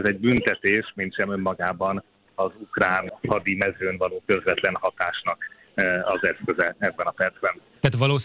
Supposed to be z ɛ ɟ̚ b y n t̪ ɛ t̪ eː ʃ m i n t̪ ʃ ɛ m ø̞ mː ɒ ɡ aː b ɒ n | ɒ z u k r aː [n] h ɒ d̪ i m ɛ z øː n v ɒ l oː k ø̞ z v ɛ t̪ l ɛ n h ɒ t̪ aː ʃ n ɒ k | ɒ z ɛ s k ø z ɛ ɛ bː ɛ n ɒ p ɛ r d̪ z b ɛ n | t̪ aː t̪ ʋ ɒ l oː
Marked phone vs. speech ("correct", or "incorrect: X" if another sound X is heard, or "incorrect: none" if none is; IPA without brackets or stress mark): correct